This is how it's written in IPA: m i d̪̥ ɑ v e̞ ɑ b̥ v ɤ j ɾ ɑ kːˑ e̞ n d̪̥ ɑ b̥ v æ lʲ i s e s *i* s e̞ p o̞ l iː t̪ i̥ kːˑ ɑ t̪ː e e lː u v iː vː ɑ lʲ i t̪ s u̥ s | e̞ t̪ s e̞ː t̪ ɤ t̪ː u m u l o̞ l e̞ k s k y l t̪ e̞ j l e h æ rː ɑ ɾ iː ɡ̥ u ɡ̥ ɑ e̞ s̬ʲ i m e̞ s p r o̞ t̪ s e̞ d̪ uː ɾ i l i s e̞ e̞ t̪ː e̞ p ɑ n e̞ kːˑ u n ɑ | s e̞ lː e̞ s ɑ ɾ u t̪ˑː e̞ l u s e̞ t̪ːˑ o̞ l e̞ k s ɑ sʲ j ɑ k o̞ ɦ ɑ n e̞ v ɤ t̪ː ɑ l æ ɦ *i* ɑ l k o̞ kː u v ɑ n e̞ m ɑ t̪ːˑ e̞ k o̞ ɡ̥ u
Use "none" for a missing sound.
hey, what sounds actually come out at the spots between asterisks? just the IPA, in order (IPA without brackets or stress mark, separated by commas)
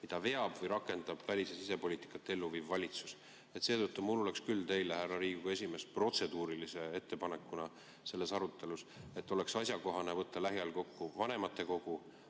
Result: i, j